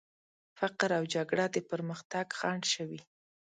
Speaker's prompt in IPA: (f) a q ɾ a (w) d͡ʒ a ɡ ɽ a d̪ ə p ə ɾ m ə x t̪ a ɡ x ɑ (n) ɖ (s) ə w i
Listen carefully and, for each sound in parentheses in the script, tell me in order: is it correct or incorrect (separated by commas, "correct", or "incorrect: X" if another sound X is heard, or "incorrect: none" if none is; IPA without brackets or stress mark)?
correct, correct, incorrect: ɳ, incorrect: ʃ